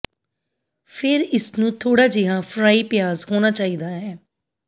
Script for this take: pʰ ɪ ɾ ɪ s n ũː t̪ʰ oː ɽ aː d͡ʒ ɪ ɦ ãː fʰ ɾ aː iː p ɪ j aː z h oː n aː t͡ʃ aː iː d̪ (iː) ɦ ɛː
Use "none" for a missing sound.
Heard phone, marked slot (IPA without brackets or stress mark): aː